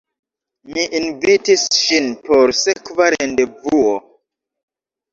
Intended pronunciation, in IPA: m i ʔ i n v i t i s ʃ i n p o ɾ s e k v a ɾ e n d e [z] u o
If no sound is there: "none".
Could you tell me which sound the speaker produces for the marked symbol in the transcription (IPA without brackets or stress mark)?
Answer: v